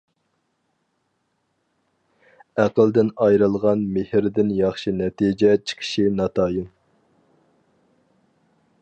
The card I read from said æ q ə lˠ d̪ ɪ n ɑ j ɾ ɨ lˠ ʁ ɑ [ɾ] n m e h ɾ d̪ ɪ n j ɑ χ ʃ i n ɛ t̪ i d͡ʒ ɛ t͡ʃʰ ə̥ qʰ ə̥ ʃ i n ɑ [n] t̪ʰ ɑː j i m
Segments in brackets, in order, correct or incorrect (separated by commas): incorrect, incorrect